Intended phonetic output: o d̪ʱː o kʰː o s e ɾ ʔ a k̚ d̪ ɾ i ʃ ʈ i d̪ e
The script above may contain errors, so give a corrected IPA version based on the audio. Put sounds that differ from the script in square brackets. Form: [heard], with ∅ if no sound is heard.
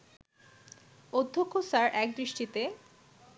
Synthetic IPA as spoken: o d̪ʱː o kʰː o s [a] ɾ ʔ [ɛ] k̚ d̪ ɾ i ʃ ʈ i [t̪] e